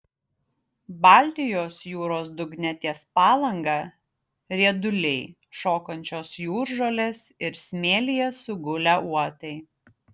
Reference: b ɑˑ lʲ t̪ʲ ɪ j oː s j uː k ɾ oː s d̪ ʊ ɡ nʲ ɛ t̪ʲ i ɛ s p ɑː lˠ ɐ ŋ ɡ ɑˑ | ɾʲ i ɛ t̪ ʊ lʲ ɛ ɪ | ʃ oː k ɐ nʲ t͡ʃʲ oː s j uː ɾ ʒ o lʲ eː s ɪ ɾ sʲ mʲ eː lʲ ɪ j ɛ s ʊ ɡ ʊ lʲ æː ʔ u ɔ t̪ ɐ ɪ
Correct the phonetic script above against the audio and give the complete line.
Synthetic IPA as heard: b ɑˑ lʲ t̪ʲ ɪ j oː s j uː ɾ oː s d̪ ʊ ɡ nʲ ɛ t̪ʲ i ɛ s p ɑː lˠ ɐ ŋ ɡ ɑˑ | ɾʲ i ɛ d̪ ʊ lʲ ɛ ɪ | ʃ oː k ɐ nʲ t͡ʃʲ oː s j uː ɾ ʒ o lʲ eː s ɪ ɾ sʲ mʲ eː lʲ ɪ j ɛ s ʊ ɡ ʊ lʲ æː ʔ u ɔ t̪ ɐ ɪ